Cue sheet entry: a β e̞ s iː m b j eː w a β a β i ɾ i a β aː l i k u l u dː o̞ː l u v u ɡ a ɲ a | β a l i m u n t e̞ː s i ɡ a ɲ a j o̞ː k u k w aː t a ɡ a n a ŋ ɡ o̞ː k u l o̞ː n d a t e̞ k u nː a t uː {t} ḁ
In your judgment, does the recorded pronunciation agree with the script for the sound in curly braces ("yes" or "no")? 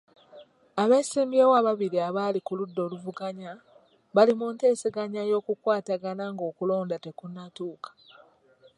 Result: no